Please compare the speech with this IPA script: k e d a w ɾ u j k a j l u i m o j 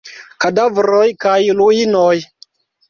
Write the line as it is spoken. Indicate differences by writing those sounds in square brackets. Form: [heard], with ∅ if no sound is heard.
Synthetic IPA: k [a] d a [v] ɾ [o] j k a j l u i [n] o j